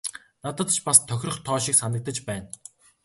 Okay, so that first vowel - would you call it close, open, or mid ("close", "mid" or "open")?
open